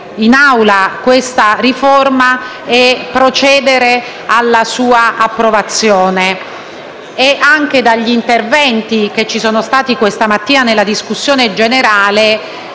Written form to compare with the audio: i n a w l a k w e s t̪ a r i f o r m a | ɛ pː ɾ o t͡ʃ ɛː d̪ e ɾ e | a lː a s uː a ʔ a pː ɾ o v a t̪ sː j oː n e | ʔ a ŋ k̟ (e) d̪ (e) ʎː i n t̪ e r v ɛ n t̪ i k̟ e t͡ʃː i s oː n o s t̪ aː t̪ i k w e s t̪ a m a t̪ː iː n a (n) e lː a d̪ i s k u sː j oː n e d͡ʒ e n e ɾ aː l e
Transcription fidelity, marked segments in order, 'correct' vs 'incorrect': correct, incorrect: a, correct

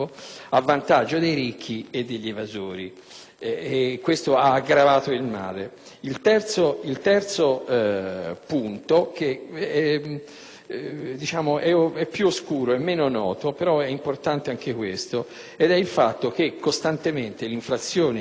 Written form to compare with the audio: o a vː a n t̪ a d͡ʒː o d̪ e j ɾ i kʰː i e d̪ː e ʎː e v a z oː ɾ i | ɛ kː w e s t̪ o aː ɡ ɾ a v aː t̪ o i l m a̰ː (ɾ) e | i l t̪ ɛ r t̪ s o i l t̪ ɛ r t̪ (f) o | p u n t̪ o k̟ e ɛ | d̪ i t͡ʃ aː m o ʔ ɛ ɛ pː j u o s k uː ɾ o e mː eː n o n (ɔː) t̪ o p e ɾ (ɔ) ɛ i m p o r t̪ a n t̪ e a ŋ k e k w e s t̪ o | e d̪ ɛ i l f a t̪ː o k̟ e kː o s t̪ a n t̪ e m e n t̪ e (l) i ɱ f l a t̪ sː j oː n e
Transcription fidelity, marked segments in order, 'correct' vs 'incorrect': incorrect: l, incorrect: s, correct, correct, correct

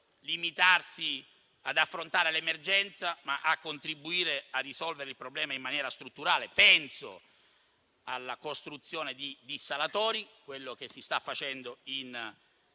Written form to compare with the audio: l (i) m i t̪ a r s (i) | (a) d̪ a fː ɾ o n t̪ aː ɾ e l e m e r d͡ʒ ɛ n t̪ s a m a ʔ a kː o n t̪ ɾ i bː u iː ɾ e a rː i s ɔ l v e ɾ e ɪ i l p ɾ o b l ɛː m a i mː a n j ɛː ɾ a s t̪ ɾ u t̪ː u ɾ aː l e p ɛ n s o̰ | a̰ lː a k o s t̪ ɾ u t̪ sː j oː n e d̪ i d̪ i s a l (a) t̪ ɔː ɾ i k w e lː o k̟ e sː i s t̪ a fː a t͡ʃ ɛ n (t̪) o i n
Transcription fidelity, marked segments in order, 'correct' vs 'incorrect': correct, correct, correct, correct, incorrect: d̪

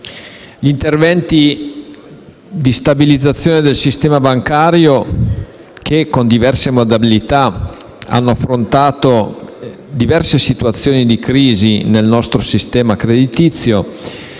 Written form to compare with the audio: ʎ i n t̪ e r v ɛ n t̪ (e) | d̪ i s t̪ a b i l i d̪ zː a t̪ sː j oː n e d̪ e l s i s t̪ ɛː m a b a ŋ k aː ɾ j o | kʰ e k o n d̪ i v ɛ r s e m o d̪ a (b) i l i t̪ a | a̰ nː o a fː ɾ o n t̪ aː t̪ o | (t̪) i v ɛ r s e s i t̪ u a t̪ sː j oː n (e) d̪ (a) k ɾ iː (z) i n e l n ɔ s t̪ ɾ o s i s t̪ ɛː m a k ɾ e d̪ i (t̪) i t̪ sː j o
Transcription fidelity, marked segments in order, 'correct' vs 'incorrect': incorrect: i, correct, incorrect: d̪, incorrect: i, incorrect: i, correct, correct

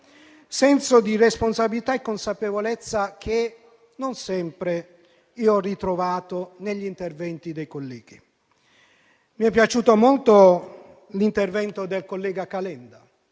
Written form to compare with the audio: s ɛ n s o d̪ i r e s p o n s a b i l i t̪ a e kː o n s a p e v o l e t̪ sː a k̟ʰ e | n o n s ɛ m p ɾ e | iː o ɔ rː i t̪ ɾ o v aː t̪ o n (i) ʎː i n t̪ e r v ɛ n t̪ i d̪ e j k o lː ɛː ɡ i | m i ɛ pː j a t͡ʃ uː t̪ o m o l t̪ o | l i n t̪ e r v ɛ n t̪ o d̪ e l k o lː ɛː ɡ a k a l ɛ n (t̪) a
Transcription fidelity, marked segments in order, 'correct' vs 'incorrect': incorrect: e, incorrect: d̪

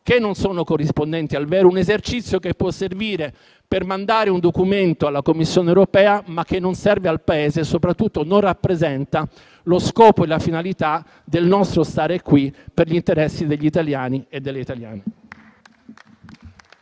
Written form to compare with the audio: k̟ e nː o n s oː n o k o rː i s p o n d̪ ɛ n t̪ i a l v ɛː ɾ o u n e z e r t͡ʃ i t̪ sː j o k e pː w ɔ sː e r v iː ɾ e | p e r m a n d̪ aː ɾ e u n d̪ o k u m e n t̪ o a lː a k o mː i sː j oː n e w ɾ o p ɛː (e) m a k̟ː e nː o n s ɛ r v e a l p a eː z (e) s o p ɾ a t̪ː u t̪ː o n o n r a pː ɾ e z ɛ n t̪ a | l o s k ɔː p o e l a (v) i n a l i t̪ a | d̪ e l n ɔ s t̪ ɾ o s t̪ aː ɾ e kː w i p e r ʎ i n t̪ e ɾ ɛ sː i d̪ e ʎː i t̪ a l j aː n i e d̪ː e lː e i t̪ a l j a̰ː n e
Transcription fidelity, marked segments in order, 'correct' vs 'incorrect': incorrect: a, correct, incorrect: f

